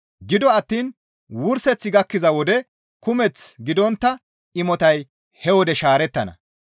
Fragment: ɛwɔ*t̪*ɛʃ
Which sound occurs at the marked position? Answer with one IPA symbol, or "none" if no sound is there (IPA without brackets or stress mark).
d̪